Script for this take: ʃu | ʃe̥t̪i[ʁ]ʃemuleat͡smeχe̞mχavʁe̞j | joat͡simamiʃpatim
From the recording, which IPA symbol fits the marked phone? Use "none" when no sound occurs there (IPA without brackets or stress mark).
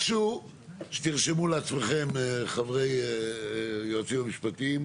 ʁ